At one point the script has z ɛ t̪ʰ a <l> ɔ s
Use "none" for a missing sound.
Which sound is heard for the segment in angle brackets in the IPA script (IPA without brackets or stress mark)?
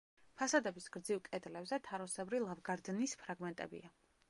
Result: ɾ